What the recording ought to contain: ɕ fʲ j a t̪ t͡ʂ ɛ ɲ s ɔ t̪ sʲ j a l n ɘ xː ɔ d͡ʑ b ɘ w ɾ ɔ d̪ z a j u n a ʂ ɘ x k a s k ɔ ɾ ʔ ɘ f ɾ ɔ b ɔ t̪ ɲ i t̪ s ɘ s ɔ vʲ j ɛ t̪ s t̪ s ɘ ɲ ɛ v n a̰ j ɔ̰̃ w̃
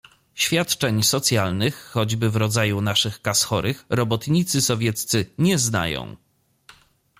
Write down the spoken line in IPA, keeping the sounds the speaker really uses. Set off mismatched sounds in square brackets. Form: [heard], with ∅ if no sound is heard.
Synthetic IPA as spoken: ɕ fʲ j a t̪ t͡ʂ ɛ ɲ s ɔ t̪ sʲ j a l n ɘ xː ɔ d͡ʑ b ɘ [v] ɾ ɔ d̪ z a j u n a ʂ ɘ x k a s [x] ɔ ɾ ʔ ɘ [x] ɾ ɔ b ɔ t̪ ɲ i t̪ s ɘ s ɔ vʲ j ɛ t̪ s t̪ s ɘ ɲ ɛ [z] n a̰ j ɔ̰̃ w̃